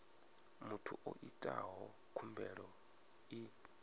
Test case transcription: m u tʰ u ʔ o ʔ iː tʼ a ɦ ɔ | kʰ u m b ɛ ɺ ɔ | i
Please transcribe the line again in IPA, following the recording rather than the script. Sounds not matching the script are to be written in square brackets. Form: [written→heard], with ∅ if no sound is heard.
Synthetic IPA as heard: m u tʰ u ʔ o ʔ [iː→i] tʼ a ɦ ɔ | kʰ u m b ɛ ɺ ɔ | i

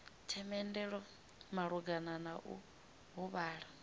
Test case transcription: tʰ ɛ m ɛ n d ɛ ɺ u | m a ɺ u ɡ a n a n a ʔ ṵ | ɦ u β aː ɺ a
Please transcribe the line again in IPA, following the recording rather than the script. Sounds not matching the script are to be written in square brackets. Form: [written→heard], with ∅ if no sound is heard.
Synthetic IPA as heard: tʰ ɛ m ɛ n d ɛ ɺ [u→ɔ] | m a ɺ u ɡ a n a n a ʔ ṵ | ɦ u β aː ɺ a

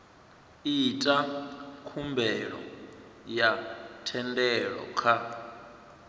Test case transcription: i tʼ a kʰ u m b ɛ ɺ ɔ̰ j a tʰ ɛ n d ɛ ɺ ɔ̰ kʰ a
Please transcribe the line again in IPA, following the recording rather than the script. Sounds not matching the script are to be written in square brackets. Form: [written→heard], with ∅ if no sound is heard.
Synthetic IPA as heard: i tʼ a kʰ u m b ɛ ɺ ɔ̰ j a tʰ ɛ n d ɛ ɺ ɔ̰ kʰ a

